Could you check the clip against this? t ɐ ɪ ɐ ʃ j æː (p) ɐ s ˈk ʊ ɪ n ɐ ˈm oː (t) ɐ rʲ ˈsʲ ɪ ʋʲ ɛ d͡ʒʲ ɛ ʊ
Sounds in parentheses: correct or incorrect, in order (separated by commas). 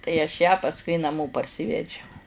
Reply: correct, incorrect